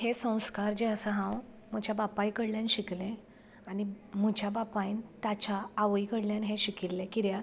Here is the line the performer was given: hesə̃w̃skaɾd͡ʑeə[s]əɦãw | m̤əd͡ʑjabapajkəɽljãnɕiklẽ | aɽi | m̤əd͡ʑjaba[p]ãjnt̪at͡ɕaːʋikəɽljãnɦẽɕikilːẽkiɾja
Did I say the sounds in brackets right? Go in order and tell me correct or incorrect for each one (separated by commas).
correct, correct